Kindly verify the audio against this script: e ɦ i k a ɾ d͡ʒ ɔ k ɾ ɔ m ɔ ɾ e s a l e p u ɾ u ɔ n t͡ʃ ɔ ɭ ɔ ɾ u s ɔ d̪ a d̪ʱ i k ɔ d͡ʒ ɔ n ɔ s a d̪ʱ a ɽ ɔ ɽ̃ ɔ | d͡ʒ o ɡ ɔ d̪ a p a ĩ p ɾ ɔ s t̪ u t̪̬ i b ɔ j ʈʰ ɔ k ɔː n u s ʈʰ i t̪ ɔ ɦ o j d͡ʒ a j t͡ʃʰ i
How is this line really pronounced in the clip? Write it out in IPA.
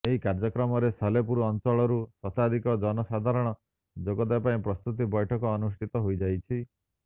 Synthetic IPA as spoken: e ɦ i k a ɾ d͡ʒ ɔ k ɾ ɔ m ɔ ɾ e s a l e p u ɾ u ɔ n t͡ʃ ɔ ɭ ɔ ɾ u s ɔ t̪ a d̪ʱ i k ɔ d͡ʒ ɔ n ɔ s a d̪ʱ a ɾ ɔ ɽ̃ ɔ | d͡ʒ o ɡ ɔ d̪ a p a ĩ p ɾ ɔ s t̪ u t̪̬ i b ɔ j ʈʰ ɔ k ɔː n u s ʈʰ i t̪ ɔ ɦ o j d͡ʒ a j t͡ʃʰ i